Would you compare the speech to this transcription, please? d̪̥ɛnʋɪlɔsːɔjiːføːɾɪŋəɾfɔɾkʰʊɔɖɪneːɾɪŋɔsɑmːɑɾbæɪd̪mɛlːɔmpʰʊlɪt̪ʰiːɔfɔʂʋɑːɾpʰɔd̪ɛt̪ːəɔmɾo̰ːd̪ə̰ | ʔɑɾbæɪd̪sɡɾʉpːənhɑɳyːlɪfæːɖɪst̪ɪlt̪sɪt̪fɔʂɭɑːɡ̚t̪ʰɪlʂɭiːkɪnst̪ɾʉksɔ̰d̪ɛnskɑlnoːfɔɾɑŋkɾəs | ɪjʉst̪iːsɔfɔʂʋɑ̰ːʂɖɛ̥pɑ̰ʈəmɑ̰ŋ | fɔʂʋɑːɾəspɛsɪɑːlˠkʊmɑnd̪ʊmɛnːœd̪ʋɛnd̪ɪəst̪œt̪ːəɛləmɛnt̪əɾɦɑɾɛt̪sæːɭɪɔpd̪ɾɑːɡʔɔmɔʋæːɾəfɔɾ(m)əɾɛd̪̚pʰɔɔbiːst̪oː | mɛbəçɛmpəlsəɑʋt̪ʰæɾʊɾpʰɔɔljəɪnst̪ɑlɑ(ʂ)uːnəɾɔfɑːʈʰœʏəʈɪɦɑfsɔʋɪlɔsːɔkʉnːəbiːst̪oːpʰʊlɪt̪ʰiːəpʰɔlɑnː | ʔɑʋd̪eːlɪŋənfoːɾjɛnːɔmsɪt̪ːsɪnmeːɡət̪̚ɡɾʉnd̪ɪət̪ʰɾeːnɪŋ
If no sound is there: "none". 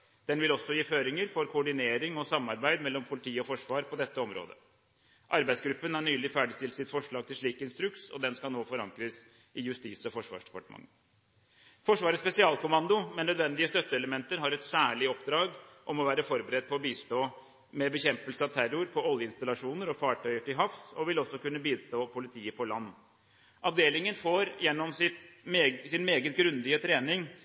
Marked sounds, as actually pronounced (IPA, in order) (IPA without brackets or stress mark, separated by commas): b, ʂ